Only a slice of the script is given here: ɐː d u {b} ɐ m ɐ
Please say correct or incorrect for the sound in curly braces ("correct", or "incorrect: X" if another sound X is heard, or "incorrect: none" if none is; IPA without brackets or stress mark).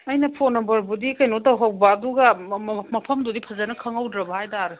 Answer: incorrect: ɡ